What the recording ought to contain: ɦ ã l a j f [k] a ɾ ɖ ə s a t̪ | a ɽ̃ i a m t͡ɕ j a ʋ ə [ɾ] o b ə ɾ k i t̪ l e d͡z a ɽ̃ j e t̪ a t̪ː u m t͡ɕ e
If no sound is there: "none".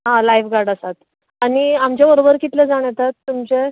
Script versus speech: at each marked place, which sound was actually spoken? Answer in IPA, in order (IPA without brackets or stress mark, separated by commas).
ɡ, ɾ